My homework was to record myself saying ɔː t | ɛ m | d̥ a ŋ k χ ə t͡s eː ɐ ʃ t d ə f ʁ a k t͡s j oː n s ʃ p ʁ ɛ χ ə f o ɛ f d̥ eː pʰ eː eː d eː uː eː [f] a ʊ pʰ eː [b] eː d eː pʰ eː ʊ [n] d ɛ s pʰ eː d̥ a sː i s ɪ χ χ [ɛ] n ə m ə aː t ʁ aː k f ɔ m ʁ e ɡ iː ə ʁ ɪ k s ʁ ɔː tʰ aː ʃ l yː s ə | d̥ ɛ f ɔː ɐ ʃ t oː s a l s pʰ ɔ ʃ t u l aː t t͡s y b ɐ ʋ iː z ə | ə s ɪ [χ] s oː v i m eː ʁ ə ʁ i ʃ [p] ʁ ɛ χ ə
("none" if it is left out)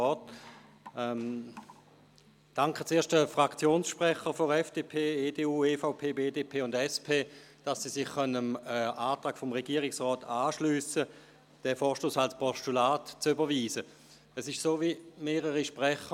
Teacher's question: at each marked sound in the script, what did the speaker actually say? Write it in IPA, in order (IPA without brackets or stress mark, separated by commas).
f, b, n, œ, ʃ, p